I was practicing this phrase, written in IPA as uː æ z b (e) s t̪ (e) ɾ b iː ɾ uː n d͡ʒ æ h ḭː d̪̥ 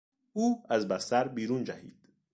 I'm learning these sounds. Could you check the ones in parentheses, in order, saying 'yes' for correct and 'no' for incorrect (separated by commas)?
no, no